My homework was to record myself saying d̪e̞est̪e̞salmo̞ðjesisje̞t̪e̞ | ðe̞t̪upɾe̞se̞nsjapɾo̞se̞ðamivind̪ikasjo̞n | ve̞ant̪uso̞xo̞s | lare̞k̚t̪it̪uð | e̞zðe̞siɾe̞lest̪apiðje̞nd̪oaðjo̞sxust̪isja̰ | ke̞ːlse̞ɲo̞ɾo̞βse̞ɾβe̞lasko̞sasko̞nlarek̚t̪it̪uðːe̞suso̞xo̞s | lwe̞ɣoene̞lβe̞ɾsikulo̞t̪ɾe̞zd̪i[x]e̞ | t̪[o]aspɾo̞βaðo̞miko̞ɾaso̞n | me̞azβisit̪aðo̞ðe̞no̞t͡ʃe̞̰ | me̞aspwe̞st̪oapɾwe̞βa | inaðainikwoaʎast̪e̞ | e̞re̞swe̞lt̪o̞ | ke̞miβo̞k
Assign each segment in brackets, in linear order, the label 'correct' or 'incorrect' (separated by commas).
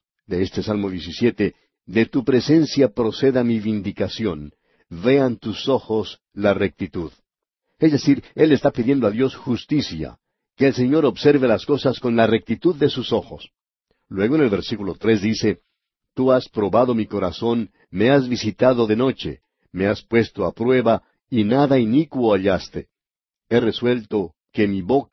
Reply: incorrect, incorrect